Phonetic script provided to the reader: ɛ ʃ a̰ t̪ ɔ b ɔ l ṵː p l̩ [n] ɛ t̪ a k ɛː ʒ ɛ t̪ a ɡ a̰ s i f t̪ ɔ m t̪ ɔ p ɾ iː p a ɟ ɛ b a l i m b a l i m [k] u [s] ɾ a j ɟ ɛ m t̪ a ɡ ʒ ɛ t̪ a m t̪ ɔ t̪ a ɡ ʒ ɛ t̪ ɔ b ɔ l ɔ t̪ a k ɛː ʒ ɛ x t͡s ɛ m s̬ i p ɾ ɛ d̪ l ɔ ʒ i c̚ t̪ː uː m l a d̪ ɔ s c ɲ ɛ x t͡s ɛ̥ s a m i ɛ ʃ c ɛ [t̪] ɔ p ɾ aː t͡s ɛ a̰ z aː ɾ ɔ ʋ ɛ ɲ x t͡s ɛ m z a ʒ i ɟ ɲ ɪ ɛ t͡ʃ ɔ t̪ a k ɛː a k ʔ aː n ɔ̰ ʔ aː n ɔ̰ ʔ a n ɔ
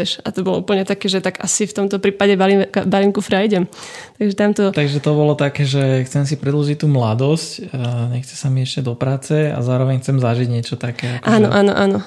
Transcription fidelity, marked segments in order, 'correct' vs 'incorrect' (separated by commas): incorrect, correct, incorrect, incorrect